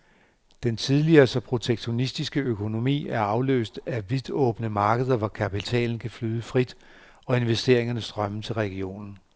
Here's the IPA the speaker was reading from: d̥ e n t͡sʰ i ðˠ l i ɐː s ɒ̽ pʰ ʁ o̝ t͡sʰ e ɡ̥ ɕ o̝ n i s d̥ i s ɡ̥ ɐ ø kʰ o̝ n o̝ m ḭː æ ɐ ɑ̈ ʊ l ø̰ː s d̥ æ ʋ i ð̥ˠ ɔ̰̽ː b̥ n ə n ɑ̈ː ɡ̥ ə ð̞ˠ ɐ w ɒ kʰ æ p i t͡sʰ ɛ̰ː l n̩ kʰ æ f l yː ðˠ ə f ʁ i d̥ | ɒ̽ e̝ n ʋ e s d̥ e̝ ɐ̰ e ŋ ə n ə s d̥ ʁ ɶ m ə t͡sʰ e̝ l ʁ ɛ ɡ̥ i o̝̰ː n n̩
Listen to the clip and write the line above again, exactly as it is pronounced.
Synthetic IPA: d̥ e n t͡sʰ i ðˠ l i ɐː s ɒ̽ pʰ ʁ o̝ t͡sʰ e ɡ̥ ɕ o̝ n i s d̥ i s ɡ̥ ə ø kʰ o̝ n o̝ m ḭː æ ɐ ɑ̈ ʊ l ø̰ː s d̥ æ ʋ i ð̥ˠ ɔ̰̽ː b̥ n ə m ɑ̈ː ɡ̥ ə ð̞ˠ ɐ ʋ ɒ kʰ æ p i t͡sʰ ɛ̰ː l n̩ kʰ æ f l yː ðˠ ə f ʁ i d̥ | ɒ̽ e̝ n ʋ e s d̥ e̝ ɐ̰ e ŋ ɐ n ə s d̥ ʁ ɶ m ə t͡sʰ e̝ l ʁ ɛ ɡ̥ i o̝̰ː n n̩